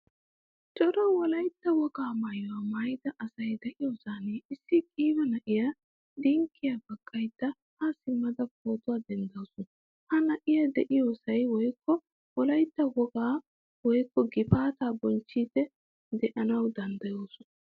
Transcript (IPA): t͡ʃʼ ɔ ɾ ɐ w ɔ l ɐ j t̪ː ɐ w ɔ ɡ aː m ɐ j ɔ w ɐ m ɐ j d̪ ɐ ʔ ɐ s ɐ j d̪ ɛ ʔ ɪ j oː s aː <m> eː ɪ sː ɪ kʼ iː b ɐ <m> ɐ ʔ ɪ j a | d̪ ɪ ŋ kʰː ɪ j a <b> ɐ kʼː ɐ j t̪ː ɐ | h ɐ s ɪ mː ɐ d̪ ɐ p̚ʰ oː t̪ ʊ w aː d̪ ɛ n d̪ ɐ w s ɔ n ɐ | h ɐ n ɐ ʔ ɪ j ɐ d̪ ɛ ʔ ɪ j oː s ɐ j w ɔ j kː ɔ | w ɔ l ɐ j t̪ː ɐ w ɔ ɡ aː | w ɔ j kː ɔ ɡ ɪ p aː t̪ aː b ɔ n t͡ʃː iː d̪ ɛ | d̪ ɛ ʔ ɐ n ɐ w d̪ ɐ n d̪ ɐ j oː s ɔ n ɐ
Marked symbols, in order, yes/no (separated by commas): no, no, yes